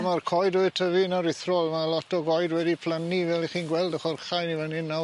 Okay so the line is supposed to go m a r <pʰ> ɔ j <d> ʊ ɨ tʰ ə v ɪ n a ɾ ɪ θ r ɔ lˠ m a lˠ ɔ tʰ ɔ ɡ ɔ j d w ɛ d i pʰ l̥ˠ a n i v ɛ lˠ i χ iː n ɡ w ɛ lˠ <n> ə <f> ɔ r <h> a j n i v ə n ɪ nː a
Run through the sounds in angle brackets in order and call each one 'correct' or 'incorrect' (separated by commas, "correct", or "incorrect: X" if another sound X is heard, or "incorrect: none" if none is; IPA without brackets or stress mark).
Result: incorrect: kʰ, correct, incorrect: d, incorrect: χ, incorrect: χ